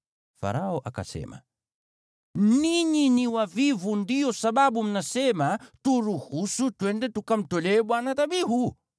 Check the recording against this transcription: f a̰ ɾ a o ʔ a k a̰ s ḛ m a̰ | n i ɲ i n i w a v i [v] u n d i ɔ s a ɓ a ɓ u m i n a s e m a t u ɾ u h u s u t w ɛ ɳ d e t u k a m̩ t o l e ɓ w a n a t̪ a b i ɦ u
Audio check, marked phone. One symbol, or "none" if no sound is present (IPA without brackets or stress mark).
v